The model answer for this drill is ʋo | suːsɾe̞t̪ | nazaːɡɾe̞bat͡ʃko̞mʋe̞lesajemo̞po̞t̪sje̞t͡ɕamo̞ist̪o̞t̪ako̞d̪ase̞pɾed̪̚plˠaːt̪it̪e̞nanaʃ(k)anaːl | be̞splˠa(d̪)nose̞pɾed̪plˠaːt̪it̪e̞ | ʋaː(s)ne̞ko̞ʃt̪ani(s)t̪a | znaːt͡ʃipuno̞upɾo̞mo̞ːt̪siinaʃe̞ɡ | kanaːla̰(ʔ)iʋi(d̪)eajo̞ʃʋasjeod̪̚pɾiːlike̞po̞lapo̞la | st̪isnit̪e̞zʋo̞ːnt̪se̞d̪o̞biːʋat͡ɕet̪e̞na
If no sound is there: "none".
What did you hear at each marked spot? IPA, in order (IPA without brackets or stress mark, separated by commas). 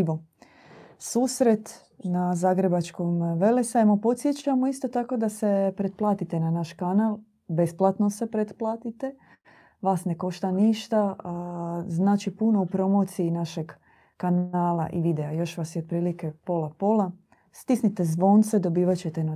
k, t̪, s, ʃ, ʔ, d̪